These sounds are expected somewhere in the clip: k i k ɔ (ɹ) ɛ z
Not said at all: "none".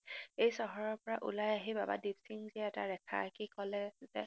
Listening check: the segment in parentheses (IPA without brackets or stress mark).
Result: l